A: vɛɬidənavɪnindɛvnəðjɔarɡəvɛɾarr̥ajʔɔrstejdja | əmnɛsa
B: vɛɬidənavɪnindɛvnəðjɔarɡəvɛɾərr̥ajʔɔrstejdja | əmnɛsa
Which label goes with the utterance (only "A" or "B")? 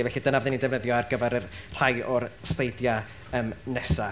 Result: B